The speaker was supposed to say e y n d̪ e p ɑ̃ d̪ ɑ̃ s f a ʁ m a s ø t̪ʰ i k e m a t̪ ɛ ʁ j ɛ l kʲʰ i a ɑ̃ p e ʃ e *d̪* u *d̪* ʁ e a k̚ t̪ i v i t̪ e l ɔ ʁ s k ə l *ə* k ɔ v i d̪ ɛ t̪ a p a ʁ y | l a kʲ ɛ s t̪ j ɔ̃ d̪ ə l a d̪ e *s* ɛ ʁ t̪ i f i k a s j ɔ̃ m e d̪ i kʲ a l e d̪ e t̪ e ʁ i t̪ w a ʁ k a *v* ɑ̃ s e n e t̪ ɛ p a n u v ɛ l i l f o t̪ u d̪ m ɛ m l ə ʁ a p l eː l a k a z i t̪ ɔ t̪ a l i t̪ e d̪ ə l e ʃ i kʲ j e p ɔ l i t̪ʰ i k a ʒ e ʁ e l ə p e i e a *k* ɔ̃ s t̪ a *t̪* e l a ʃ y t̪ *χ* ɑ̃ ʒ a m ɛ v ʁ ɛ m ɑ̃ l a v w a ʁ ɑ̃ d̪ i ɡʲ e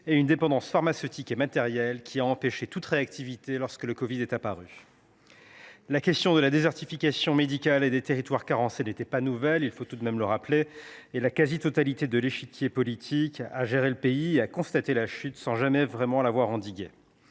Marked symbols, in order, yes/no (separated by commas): no, no, yes, no, no, yes, yes, no